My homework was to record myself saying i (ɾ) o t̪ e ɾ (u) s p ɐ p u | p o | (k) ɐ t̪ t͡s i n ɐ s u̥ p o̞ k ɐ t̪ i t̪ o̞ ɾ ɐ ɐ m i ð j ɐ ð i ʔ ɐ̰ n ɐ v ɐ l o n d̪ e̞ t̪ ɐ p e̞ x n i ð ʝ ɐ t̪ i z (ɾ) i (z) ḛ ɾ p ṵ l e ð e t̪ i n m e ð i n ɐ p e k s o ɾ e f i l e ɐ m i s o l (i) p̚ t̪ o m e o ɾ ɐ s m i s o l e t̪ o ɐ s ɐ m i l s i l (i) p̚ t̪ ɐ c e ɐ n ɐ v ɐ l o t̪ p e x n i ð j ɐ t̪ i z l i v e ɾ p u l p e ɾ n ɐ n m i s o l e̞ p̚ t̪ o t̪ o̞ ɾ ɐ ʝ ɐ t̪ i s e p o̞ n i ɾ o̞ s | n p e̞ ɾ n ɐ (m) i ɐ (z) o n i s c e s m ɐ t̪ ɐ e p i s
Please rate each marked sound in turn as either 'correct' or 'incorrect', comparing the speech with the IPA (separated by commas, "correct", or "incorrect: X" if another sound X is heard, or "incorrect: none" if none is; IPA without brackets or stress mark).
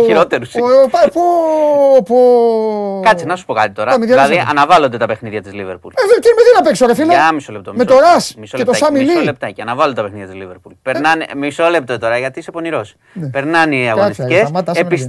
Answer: correct, correct, correct, incorrect: l, incorrect: v, incorrect: e, incorrect: e, incorrect: n, incorrect: ɣ